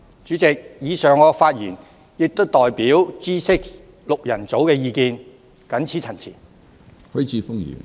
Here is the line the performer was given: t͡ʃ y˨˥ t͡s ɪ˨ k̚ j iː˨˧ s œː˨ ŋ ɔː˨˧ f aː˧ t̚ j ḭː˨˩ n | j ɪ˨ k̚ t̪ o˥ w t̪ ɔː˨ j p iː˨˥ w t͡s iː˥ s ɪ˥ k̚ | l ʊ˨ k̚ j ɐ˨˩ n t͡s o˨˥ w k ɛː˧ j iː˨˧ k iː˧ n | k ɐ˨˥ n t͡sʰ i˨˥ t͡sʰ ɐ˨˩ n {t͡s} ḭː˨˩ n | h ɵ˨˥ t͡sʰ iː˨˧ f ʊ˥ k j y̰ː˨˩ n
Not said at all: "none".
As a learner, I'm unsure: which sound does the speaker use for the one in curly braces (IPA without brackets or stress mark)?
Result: t͡sʰ